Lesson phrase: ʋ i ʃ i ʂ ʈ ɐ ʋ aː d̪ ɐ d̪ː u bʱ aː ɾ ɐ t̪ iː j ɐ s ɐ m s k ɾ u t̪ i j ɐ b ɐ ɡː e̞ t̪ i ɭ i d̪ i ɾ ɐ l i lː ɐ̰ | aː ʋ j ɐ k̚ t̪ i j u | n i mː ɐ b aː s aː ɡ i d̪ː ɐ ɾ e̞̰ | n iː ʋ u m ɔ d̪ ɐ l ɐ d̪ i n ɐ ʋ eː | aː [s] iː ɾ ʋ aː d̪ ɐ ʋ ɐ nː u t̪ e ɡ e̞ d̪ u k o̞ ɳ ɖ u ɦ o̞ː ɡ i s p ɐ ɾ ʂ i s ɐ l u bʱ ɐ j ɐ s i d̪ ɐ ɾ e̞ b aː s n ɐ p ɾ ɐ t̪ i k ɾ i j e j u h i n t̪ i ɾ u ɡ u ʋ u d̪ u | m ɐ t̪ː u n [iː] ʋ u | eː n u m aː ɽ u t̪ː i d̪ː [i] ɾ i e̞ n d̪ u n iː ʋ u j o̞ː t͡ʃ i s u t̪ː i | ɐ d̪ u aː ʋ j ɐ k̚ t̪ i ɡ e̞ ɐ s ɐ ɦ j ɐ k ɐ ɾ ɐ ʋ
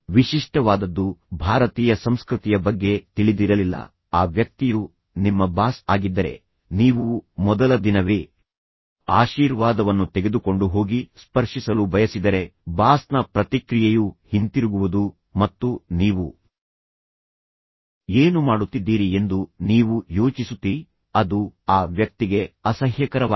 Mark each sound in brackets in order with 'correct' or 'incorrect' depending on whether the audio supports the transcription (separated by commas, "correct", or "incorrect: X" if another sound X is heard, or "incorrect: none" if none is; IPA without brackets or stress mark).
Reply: incorrect: ʃ, correct, incorrect: iː